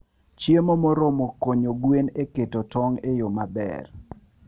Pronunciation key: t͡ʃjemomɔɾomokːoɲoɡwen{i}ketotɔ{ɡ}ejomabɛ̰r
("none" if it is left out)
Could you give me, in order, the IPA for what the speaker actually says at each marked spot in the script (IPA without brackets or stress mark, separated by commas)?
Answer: e, ŋ